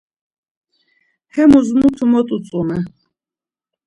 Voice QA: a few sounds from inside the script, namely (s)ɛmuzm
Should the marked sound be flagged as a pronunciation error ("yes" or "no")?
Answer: yes